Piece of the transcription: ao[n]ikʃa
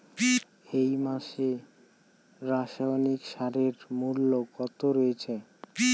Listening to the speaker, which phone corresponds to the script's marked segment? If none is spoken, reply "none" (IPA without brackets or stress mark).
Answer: n